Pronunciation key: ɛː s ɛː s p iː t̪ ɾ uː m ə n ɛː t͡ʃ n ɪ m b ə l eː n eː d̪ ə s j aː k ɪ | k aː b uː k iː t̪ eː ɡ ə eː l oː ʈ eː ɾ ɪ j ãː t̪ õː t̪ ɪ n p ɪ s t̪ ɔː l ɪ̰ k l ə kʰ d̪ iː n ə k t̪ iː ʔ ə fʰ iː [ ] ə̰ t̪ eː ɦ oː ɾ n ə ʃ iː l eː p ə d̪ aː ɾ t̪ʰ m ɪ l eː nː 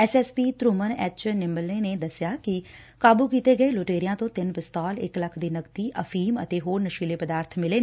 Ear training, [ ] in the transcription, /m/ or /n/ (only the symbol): m